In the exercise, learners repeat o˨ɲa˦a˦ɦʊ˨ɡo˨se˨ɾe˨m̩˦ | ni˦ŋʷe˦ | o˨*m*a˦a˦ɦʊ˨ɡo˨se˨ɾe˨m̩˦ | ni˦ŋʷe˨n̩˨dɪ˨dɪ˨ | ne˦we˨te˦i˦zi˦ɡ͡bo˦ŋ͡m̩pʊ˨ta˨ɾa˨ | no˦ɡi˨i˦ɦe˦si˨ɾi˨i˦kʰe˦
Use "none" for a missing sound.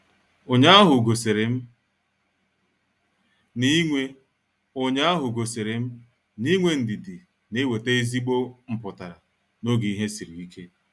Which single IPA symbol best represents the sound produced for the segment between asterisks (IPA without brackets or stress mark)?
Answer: ɲ